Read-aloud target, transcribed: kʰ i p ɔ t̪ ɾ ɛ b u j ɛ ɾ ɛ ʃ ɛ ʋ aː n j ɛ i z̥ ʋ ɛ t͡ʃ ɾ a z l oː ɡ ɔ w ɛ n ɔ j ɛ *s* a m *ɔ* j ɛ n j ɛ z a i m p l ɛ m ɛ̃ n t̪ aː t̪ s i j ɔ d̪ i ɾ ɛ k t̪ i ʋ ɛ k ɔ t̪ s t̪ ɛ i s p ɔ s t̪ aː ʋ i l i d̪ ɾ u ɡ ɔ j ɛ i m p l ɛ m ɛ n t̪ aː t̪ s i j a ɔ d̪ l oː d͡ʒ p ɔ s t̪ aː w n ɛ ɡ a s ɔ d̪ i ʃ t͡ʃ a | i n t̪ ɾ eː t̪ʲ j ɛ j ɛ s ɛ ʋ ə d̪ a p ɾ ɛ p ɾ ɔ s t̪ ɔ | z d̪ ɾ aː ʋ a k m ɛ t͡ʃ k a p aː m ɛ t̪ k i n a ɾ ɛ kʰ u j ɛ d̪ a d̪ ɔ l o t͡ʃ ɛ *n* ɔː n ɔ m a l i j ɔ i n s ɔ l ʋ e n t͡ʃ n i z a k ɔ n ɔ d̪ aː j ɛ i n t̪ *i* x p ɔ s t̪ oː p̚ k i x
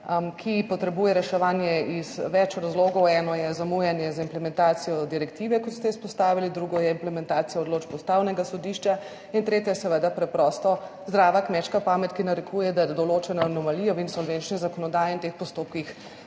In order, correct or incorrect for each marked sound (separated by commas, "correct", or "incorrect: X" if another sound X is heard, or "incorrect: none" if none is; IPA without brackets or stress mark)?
incorrect: z, incorrect: u, correct, incorrect: e